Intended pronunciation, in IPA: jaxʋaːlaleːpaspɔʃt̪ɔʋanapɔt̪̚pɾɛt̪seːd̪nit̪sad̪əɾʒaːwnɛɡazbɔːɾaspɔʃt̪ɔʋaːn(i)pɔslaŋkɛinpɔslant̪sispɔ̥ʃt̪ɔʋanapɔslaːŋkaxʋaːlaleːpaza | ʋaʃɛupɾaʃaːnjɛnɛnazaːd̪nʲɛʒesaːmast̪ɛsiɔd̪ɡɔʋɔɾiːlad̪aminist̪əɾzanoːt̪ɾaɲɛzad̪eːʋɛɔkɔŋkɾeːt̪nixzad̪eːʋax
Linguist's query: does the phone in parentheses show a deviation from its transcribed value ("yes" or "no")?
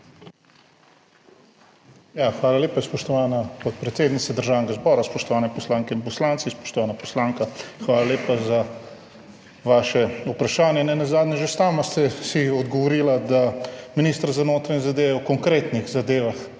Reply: yes